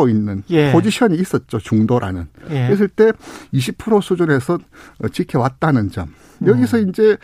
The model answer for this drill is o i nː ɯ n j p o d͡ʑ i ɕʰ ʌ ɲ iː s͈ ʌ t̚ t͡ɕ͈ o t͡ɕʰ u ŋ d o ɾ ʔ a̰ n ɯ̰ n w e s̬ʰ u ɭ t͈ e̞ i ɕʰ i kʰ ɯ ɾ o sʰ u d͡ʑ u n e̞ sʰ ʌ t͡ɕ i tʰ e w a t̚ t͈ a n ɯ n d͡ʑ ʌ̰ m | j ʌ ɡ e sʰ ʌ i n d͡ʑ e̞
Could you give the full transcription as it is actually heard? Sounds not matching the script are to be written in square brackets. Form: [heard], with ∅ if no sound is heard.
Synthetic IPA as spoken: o i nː ɯ n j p o d͡ʑ i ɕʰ ʌ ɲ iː s͈ ʌ t̚ t͡ɕ͈ o [t͡ɕ] u ŋ d o ɾ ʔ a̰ n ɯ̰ n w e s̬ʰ [ɯ] ɭ t͈ e̞ i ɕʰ i [pʰ] ɯ ɾ o sʰ u d͡ʑ u n e̞ sʰ ʌ t͡ɕ i [kʰ] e w a t̚ t͈ a n ɯ n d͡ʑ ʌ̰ m | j ʌ ɡ [i] sʰ ʌ i n d͡ʑ e̞